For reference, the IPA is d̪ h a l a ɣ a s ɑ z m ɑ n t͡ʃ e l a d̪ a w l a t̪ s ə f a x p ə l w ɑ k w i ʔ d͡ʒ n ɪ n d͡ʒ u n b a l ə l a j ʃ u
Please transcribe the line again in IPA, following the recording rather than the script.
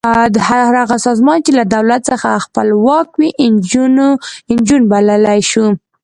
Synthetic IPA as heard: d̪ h a ɾ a ɣ a s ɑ z m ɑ n t͡ʃ e l a d̪ a w l a t̪ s ə x a x p ə l w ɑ k w i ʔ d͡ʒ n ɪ n d͡ʒ u n b a l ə l a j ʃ u